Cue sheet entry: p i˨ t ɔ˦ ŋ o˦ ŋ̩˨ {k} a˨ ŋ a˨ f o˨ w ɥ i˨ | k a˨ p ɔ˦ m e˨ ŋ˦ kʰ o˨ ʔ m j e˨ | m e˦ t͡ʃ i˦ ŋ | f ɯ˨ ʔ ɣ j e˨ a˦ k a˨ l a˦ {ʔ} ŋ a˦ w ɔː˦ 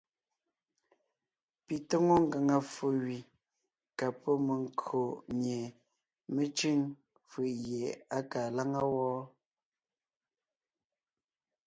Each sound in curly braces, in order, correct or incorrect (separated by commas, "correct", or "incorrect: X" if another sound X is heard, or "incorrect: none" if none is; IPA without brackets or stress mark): incorrect: ɡ, incorrect: none